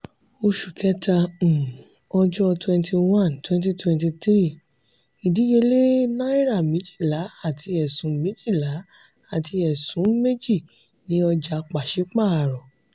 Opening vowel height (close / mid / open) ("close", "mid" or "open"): mid